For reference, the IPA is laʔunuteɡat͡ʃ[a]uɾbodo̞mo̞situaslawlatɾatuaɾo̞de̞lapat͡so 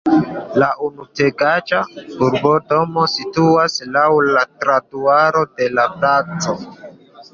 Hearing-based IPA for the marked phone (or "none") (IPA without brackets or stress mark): a